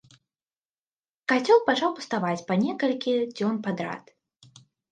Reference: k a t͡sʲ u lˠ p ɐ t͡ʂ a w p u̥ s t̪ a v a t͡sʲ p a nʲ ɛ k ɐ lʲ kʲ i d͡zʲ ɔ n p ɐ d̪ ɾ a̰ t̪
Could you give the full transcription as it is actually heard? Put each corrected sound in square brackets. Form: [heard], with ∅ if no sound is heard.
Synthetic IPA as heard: k a t͡sʲ [ɔ] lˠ p [a] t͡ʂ a w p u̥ s t̪ a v a t͡sʲ p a nʲ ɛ k ɐ lʲ kʲ i d͡zʲ ɔ n p [a] d̪ ɾ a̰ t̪

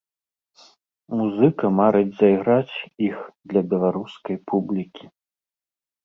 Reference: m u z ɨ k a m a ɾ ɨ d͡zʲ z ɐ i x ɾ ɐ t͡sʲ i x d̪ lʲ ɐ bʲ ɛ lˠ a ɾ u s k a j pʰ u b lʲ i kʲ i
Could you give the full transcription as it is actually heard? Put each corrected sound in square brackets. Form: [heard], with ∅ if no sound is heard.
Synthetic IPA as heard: m u z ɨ k [ɐ] m a ɾ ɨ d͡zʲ z ɐ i [ɣ] ɾ [a] t͡sʲ i x d̪ lʲ ɐ bʲ ɛ lˠ a ɾ u s k [ɐ] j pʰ u b lʲ i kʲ i

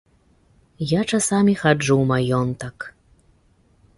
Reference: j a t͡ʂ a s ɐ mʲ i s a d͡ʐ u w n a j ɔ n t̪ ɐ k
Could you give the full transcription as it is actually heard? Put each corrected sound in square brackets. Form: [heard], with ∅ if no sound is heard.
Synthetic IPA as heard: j a t͡ʂ a s [a] mʲ i [x] a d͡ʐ u w [m] a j ɔ n t̪ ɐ k

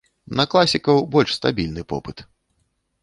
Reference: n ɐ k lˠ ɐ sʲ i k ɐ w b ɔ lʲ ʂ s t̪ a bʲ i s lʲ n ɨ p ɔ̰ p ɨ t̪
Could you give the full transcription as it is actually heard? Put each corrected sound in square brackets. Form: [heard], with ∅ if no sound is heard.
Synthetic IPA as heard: n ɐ k lˠ [a] sʲ i k ɐ w b ɔ lʲ ʂ s t̪ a bʲ i [∅] lʲ n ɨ p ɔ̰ p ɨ t̪

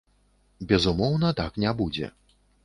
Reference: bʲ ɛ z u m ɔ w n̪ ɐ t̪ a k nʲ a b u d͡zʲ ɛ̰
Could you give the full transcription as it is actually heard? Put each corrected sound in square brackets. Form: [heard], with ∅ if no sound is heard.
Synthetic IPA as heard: bʲ ɛ z u m ɔ w n̪ ɐ t̪ a k nʲ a b u d͡zʲ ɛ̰

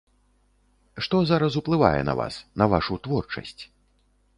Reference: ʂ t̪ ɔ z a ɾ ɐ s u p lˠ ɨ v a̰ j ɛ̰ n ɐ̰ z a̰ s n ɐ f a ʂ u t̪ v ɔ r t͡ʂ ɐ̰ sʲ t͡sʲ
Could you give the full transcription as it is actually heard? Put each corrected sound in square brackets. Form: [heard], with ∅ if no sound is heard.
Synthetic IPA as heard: ʂ t̪ ɔ z a ɾ ɐ s u p lˠ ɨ v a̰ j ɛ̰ n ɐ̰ [v] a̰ s n ɐ [v] a ʂ u t̪ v ɔ r t͡ʂ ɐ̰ sʲ t͡sʲ

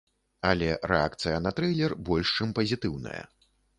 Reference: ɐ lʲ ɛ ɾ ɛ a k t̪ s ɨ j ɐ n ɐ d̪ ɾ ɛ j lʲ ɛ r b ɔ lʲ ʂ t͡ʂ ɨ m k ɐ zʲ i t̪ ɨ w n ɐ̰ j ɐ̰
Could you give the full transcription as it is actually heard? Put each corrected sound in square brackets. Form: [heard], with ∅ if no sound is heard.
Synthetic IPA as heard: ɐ lʲ ɛ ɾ ɛ a k t̪ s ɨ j ɐ n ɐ [t̪] ɾ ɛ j lʲ ɛ r b ɔ lʲ ʂ t͡ʂ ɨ m [p] ɐ zʲ i t̪ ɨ w n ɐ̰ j ɐ̰

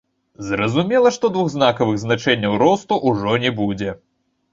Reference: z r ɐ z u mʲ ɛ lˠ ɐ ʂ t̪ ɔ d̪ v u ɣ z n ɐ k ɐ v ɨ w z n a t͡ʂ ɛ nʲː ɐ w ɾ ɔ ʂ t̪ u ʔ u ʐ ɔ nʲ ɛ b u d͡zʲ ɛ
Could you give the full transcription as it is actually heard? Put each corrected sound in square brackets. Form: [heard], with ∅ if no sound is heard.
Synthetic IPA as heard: z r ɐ z u mʲ ɛ lˠ ɐ ʂ t̪ ɔ d̪ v u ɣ z n [a] k ɐ v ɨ [ɣ] z n a t͡ʂ ɛ nʲː ɐ w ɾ ɔ [s] t̪ u ʔ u ʐ ɔ nʲ ɛ b u d͡zʲ ɛ

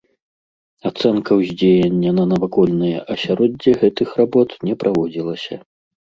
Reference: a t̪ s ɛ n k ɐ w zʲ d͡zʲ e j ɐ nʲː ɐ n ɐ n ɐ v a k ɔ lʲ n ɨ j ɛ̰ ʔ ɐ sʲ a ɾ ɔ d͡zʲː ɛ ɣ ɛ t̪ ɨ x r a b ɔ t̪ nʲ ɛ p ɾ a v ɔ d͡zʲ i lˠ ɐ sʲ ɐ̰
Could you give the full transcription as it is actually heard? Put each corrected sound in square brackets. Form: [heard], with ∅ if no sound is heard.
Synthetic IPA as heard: a t̪ s ɛ n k ɐ w zʲ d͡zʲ e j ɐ nʲː ɐ n ɐ n ɐ v a k ɔ lʲ n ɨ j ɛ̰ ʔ ɐ sʲ a ɾ ɔ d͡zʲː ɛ ɣ ɛ t̪ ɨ x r a b ɔ t̪ nʲ ɛ p ɾ a v ɔ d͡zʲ i lˠ ɐ sʲ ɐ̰

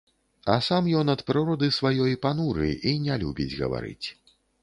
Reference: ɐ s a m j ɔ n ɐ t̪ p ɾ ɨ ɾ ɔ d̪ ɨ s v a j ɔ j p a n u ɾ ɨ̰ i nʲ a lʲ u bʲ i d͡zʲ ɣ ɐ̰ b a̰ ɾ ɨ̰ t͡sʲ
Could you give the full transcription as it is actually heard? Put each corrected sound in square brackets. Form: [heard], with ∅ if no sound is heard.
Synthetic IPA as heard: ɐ s a m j ɔ n ɐ t̪ p ɾ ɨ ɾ ɔ d̪ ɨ s v a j ɔ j p a n u ɾ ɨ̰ i nʲ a lʲ u bʲ i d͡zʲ ɣ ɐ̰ [v] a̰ ɾ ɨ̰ t͡sʲ

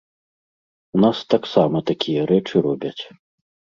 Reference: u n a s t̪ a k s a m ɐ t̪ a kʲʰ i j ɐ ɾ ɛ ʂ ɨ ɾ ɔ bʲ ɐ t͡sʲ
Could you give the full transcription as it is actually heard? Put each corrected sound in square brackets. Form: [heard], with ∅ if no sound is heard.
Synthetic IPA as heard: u n a s t̪ a k s a m ɐ t̪ a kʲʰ i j ɐ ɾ ɛ [t͡ʂ] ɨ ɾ ɔ bʲ ɐ t͡sʲ

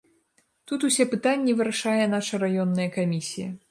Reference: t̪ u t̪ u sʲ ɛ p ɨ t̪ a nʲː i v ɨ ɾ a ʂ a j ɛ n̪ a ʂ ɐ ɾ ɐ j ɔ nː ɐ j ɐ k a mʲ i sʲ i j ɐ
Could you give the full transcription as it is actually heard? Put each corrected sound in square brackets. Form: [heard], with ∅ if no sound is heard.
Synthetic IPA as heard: t̪ u t̪ u sʲ ɛ p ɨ t̪ a nʲː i v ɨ ɾ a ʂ a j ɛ n̪ a ʂ ɐ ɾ [a] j ɔ nː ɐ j ɐ k a mʲ i sʲ i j ɐ

